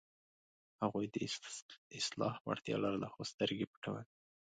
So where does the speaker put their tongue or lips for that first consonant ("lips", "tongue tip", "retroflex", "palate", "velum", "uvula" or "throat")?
throat